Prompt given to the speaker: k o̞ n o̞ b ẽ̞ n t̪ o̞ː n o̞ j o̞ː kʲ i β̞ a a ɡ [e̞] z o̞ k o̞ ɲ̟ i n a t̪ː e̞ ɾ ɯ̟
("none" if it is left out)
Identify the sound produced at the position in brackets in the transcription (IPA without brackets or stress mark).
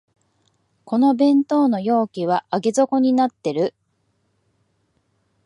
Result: e̞